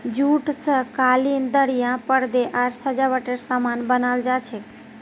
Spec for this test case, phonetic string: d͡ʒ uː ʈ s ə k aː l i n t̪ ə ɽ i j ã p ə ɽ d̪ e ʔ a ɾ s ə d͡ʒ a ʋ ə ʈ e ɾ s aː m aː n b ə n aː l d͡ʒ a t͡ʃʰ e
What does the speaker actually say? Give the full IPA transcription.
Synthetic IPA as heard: d͡ʒ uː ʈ s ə k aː l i n d̪ ə ɽ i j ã p ə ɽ d̪ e ʔ a ɾ s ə d͡ʒ a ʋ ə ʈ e ɾ s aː m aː n b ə n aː l d͡ʒ a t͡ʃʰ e

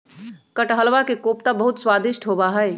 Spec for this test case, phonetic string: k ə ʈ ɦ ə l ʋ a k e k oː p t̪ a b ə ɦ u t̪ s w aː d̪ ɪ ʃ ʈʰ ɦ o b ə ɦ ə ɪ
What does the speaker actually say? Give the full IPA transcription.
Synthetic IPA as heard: k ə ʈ ɦ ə l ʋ a k e k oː p t̪ a b ə ɦ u t̪ s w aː d̪ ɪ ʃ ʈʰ ɦ o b a ɦ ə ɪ

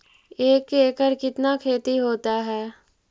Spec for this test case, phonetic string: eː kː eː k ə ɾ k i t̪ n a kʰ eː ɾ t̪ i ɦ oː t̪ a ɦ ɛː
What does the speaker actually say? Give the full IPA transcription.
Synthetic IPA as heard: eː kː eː k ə ɾ k ɪ t̪ n a kʰ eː t̪ i ɦ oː t̪ a ɦ ɛː

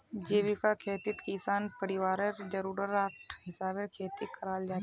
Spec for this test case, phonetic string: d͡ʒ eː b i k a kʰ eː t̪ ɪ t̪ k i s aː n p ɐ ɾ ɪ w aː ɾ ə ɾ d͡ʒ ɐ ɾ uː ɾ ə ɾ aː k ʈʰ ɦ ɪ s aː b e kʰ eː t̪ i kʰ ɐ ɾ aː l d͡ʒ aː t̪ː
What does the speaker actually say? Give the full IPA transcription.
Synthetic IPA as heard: d͡ʒ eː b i k a kʰ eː t̪ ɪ t̪ k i s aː n p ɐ ɾ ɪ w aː ɾ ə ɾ d͡ʒ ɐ ɾ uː ɾ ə ɾ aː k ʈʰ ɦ ɪ s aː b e kʰ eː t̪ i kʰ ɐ ɾ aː l d͡ʒ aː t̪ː

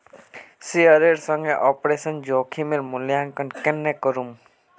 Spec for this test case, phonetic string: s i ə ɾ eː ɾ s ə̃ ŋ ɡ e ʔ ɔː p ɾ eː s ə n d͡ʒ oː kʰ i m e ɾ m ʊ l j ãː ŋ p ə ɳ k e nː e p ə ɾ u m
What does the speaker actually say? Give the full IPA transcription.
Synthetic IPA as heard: s i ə ɾ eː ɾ s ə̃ ŋ ɡ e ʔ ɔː p ɾ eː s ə n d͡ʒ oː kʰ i m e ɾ m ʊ l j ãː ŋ k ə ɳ k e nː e k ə ɾ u m

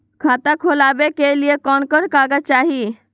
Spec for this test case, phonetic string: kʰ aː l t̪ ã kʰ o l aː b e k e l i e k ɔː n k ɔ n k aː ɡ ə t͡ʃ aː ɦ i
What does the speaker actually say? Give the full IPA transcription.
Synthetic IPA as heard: kʰ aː t̪ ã kʰ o l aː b e k e l i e k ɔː n k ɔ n k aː ɡ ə t͡ʃ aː ɦ i

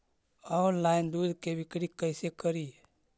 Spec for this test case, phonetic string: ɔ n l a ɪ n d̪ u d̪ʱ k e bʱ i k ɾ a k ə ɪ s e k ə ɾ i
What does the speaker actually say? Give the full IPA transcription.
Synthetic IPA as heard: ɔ n l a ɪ n d̪ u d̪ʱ k e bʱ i k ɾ i k ə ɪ s e k ə ɾ i

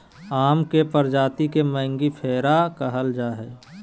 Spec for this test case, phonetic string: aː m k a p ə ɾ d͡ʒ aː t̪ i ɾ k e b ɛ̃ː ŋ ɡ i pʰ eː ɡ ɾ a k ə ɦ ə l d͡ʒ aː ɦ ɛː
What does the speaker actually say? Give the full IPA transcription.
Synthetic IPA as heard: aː m k e p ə ɾ d͡ʒ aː t̪ i k e m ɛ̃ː ŋ ɡ i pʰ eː ɾ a k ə ɦ ə l d͡ʒ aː ɦ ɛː

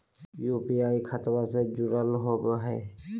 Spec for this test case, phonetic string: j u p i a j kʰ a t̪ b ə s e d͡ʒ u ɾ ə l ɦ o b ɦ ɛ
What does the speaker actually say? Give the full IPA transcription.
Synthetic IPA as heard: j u p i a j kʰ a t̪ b a s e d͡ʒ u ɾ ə l ɦ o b ɦ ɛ

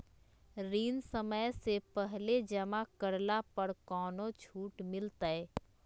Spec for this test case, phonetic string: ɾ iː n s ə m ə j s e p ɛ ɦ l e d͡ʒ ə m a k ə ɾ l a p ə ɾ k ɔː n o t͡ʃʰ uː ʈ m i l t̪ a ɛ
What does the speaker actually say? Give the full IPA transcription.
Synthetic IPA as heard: ɾ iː n s ə m ə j s e p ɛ ɦ l e d͡ʒ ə m a k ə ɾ l a p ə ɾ k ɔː n o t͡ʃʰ uː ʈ m ɪ l t̪ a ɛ

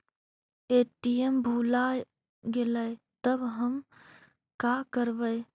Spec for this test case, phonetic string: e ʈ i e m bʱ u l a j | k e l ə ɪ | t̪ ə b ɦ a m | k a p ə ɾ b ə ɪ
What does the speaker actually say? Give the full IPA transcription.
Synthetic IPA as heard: e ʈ i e m bʱ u l a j | ɡ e l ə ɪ | t̪ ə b ɦ ə m | k a k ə ɾ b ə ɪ

